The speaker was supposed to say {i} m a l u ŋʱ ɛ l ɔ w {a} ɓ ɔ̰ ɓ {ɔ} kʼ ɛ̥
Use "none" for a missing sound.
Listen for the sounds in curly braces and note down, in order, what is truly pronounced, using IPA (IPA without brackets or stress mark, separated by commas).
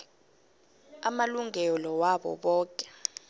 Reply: a, a, ɔː